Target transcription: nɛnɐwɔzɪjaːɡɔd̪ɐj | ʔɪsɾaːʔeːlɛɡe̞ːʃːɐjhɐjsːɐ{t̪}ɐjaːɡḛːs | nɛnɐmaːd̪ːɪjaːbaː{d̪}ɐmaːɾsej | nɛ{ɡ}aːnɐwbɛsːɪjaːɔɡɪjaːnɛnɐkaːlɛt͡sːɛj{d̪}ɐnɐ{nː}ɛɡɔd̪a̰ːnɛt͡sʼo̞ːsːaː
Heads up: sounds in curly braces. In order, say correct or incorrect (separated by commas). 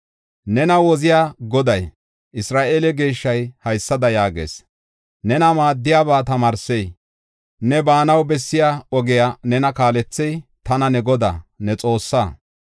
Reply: incorrect, incorrect, incorrect, incorrect, incorrect